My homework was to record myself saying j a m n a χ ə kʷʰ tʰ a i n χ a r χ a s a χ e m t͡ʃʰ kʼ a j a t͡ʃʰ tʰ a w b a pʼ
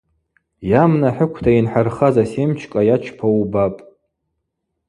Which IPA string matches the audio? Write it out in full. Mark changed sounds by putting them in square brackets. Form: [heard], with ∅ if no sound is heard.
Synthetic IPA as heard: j a m n a [ħ] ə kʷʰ tʰ a i n [ħ] a r χ a [z] a [s] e m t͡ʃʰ kʼ a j a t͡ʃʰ [pʰ] a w b a pʼ